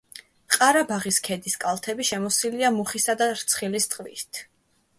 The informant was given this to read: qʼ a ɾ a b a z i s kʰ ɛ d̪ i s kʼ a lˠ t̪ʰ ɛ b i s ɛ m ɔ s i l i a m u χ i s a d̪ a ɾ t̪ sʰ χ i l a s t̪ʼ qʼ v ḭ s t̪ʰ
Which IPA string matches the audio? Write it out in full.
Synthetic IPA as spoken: qʼ a ɾ a b a ʁ i s kʰ ɛ d̪ i s kʼ a lˠ t̪ʰ ɛ b i ʃ ɛ m ɔ s i l i a m u χ i s a d̪ a ɾ t̪ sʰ χ i l i s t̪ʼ qʼ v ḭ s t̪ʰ